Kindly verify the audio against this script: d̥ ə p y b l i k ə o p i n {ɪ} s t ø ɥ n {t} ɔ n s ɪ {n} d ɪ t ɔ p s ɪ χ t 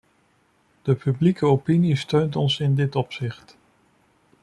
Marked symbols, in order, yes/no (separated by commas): no, yes, yes